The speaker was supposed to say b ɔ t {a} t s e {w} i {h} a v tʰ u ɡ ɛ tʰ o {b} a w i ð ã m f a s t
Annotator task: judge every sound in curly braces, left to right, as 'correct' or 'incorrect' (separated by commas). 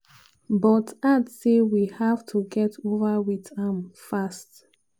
correct, correct, correct, incorrect